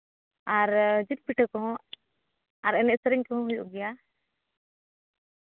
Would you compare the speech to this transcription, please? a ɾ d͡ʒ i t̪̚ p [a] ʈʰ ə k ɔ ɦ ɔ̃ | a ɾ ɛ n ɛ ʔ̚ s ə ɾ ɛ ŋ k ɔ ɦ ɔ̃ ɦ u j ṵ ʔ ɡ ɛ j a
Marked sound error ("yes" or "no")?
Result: yes